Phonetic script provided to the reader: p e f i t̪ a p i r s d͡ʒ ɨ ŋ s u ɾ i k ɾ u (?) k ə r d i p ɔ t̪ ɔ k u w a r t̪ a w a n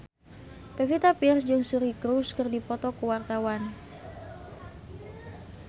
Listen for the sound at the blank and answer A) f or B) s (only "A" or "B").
B